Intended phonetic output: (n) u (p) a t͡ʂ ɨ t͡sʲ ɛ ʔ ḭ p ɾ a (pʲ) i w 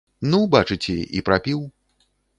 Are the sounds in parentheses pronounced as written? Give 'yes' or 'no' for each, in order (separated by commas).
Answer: yes, no, yes